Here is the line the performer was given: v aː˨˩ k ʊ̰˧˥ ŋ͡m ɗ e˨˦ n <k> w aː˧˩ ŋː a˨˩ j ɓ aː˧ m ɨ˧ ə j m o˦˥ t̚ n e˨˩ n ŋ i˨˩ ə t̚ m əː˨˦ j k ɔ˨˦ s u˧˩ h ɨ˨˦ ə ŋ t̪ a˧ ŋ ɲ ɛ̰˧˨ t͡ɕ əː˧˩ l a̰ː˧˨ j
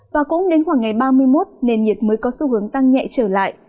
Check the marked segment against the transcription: incorrect: x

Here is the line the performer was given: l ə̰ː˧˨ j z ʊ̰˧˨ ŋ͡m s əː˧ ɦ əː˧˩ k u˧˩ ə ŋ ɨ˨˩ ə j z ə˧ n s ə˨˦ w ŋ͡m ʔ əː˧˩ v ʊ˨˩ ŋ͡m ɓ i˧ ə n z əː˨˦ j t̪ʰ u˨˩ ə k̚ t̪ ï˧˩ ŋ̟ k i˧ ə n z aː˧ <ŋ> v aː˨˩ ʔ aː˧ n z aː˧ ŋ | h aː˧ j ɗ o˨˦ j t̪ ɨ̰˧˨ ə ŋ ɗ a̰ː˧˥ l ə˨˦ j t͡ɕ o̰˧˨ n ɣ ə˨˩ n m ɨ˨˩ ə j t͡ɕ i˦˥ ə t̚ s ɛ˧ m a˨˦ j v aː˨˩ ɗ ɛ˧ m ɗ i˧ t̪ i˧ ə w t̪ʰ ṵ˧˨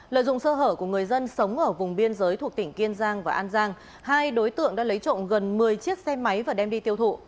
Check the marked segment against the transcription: correct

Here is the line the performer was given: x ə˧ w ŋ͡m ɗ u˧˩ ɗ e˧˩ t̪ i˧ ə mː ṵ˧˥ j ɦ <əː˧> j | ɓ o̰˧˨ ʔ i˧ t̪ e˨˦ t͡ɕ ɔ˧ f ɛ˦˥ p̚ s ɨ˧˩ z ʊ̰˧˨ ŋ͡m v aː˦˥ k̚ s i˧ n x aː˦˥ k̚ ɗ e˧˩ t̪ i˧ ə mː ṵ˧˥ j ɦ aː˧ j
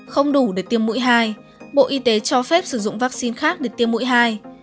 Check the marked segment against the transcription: incorrect: aː˧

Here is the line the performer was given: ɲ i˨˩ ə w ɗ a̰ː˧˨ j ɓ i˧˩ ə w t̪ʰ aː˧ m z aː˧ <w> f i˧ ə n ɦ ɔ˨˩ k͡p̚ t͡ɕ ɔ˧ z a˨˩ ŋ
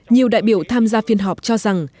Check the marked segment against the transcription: incorrect: none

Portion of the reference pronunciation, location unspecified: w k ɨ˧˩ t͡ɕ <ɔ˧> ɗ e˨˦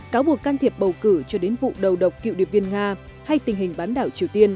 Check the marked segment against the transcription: correct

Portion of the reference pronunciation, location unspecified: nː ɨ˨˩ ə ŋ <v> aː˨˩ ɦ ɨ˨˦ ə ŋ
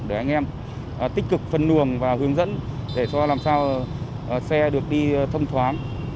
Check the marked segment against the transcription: correct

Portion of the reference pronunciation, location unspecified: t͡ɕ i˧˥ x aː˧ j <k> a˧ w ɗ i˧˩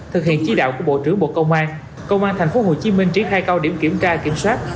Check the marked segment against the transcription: correct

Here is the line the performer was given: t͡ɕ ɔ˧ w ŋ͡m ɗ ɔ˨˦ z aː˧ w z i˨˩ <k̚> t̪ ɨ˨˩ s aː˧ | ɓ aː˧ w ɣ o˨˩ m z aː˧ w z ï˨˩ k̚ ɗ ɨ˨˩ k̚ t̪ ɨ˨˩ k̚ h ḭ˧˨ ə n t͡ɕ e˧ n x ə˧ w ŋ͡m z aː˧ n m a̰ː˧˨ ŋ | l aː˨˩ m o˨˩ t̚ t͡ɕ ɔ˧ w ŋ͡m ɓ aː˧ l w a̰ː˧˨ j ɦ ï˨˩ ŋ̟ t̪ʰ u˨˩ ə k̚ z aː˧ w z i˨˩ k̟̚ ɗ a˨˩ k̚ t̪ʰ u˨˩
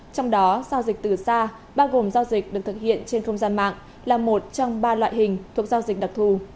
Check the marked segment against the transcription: correct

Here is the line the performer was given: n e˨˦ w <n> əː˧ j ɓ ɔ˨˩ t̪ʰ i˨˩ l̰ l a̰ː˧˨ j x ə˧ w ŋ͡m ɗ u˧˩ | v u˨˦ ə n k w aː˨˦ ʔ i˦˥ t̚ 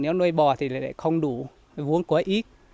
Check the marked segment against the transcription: correct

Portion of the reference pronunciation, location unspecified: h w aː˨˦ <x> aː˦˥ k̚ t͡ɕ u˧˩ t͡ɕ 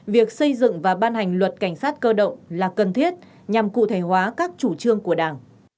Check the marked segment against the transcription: incorrect: k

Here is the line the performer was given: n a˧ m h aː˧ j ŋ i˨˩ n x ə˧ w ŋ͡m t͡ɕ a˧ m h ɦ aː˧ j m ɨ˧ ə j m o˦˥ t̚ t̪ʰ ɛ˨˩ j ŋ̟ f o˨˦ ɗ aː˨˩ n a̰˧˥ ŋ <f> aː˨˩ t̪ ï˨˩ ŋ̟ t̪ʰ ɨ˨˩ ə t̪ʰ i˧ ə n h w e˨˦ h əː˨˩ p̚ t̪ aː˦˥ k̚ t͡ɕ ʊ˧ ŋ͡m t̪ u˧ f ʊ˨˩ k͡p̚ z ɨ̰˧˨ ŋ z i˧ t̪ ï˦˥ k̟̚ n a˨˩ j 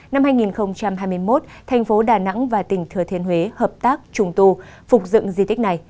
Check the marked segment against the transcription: incorrect: v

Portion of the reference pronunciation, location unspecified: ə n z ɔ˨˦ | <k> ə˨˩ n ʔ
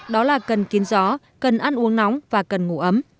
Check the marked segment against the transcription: correct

